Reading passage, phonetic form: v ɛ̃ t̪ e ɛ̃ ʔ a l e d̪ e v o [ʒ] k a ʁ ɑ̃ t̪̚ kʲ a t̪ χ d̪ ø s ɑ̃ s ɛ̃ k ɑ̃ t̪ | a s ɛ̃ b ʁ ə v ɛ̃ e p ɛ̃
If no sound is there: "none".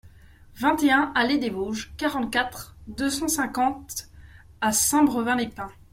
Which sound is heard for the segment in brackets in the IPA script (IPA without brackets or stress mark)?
ʒ